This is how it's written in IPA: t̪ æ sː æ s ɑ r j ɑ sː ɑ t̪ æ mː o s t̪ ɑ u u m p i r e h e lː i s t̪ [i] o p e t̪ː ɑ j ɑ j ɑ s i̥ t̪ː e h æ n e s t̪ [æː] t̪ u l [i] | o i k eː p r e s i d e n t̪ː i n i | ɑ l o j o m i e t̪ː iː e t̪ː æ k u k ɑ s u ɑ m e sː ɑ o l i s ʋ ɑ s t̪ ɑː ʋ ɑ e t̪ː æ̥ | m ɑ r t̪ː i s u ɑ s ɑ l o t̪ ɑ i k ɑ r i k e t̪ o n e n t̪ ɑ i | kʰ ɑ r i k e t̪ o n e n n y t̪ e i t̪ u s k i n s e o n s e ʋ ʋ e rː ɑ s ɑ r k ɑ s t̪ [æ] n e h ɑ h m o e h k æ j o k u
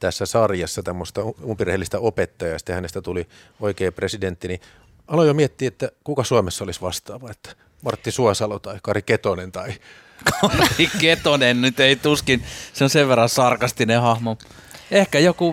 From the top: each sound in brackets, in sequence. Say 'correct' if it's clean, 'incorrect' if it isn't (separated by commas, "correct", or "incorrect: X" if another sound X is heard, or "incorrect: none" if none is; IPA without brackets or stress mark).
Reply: incorrect: æ, incorrect: æ, correct, incorrect: i